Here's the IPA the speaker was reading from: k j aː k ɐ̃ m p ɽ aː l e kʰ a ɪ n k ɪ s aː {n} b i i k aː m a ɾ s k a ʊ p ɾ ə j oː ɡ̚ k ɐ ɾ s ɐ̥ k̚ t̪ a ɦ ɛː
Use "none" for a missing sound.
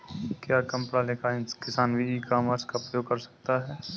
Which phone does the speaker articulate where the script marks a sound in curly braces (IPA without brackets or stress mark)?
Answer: n